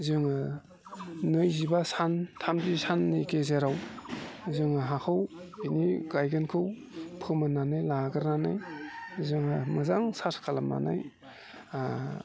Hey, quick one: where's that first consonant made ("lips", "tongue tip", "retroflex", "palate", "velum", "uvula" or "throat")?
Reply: tongue tip